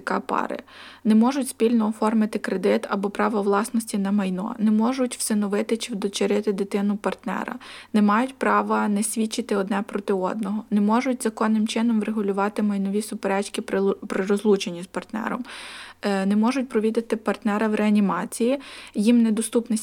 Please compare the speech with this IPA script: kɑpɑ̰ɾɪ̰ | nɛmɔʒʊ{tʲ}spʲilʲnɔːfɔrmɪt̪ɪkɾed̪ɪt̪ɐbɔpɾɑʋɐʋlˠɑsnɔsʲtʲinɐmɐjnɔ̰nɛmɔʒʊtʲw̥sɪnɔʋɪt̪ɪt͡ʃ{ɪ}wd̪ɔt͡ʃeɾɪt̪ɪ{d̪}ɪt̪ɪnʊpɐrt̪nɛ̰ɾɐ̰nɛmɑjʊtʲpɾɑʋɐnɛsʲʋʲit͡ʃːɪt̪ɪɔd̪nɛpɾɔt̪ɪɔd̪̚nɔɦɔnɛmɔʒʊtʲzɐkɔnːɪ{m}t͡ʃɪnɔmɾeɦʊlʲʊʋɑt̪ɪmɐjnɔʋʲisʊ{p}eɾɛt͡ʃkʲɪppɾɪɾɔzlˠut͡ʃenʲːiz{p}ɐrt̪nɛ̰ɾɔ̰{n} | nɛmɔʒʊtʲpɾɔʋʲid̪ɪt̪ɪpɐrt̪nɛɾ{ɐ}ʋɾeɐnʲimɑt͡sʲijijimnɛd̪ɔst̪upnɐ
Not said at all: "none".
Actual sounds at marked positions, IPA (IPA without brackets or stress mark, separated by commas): tʲ, ɪ, d̪, m, p, p, m, ɐ